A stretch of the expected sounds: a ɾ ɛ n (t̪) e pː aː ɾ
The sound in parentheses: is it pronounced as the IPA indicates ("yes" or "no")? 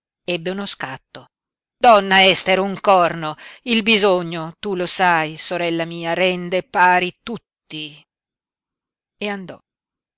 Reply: no